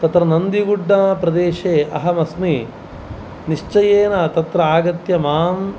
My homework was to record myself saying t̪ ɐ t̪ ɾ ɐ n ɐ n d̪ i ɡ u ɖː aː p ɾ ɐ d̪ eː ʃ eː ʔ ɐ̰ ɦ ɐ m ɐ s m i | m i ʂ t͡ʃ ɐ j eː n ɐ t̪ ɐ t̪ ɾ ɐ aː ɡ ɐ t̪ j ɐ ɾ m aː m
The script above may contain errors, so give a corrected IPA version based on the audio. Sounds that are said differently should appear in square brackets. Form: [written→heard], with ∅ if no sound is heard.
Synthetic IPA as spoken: t̪ ɐ t̪ ɾ ɐ n ɐ n d̪ i ɡ u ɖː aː p ɾ ɐ d̪ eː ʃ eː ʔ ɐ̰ ɦ ɐ m ɐ s m i | [m→n] i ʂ t͡ʃ ɐ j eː n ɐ t̪ ɐ t̪ ɾ ɐ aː ɡ ɐ t̪ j ɐ [ɾ→∅] m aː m